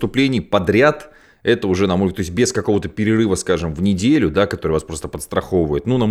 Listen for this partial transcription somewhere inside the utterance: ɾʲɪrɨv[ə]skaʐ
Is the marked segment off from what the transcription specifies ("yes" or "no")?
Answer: no